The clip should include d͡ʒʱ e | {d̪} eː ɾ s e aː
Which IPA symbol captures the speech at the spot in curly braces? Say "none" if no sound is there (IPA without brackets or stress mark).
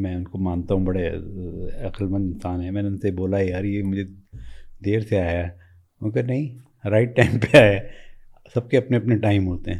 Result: d̪